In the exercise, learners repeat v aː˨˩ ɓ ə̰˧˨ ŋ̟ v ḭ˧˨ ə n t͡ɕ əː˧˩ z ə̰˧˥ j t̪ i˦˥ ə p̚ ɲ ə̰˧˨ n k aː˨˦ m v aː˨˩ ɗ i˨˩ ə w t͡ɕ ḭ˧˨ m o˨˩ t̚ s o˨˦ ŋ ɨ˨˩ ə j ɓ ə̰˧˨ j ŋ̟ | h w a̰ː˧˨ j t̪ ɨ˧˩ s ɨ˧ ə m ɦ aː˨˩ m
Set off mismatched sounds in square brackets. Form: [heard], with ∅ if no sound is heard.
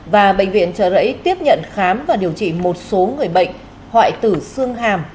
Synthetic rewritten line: v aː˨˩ ɓ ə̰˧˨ ŋ̟ v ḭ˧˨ ə n t͡ɕ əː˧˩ z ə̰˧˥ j t̪ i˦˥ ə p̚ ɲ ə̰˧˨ n [x] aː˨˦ m v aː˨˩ ɗ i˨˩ ə w t͡ɕ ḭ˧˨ m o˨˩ t̚ s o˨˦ ŋ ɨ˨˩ ə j ɓ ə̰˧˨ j ŋ̟ | h w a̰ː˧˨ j t̪ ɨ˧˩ s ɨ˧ ə [ŋ] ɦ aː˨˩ m